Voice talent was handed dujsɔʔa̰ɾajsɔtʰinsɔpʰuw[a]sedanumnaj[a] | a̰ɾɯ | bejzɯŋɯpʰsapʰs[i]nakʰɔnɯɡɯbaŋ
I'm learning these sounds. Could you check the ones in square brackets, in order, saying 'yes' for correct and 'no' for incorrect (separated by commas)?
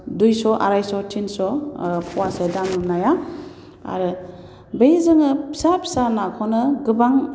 yes, yes, no